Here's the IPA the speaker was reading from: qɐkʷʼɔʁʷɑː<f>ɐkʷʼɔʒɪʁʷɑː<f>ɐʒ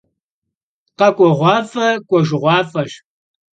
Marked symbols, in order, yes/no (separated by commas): yes, yes